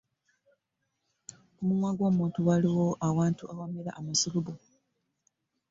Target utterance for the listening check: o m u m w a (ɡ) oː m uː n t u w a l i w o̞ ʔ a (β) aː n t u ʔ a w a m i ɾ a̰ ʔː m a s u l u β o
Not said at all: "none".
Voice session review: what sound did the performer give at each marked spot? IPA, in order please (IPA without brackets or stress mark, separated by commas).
ɡ, w